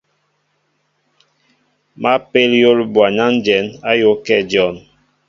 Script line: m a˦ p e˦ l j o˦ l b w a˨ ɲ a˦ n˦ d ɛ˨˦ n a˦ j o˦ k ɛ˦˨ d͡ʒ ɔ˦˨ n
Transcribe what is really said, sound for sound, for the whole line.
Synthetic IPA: m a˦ p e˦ l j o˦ l b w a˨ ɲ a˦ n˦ d͡ʒ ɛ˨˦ n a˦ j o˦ k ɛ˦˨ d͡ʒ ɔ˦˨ n